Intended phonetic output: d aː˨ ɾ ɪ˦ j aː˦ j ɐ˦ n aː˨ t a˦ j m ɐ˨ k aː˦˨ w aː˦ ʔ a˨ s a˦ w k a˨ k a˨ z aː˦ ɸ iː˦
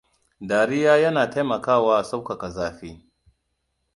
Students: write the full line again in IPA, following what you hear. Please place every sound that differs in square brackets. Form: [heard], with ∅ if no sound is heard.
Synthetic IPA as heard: d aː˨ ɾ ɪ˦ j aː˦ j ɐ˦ n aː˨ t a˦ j m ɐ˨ k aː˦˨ w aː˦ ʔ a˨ s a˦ w k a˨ k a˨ z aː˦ ɸ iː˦